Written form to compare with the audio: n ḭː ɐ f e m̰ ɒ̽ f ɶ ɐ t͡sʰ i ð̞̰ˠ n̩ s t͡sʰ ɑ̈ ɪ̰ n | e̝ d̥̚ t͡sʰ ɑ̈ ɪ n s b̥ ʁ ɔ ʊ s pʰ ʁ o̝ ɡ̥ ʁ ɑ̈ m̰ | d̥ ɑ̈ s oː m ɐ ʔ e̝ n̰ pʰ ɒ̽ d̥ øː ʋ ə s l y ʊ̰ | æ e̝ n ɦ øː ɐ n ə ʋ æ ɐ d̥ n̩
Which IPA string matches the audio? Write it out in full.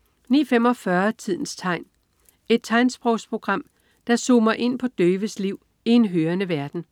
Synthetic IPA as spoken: n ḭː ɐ f e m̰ ɒ̽ f ɶ ɐ t͡sʰ i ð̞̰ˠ n̩ s t͡sʰ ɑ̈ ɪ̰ n | e̝ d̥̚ t͡sʰ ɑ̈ ɪ n s b̥ ʁ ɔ ʊ s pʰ ʁ o̝ ɡ̥ ʁ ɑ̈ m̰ | d̥ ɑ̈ s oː m ɐ ʔ e̝ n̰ pʰ ɒ̽ d̥ øː ʋ ə s l i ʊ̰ | i e̝ n ɦ øː ɐ n ə ʋ æ ɐ d̥ n̩